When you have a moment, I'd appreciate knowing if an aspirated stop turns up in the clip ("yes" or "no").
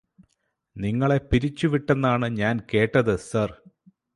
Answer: no